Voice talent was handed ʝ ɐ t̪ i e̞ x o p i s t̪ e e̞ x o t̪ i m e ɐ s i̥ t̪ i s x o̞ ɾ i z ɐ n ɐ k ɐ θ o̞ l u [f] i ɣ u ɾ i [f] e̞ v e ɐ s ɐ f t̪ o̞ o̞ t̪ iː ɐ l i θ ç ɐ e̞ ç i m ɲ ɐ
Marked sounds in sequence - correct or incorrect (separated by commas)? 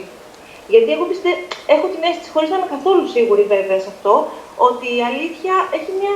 incorrect, incorrect